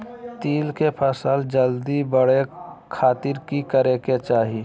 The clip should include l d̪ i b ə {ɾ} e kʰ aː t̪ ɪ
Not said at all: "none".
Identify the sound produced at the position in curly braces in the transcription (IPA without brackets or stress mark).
ɽ